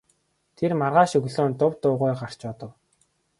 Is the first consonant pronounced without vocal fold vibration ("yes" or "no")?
yes